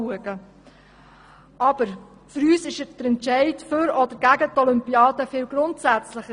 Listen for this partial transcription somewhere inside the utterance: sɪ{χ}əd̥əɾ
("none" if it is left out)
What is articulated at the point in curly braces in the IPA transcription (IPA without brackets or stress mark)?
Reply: ʃ